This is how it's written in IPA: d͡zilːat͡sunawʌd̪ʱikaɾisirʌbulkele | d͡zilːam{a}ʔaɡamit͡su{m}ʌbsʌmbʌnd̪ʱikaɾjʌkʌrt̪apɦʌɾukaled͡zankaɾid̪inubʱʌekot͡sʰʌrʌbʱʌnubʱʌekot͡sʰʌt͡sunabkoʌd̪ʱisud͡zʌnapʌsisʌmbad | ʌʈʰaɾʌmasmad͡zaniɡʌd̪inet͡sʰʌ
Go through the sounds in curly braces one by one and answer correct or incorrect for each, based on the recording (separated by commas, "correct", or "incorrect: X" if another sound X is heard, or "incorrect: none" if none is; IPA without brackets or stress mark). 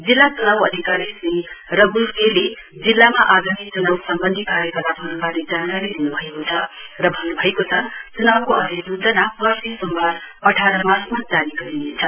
correct, incorrect: n